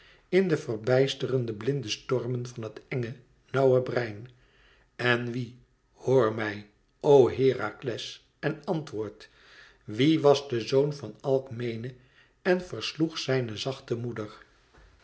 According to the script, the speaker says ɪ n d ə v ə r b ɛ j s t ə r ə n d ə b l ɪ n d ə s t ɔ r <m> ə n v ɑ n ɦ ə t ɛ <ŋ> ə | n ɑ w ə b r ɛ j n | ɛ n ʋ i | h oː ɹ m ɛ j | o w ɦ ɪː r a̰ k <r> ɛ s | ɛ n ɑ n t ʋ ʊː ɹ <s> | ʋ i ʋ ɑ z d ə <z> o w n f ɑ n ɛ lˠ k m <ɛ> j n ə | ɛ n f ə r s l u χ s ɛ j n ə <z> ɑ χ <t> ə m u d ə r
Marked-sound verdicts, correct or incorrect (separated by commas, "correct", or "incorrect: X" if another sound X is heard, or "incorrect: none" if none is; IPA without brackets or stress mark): correct, correct, incorrect: l, incorrect: t, correct, incorrect: e, correct, correct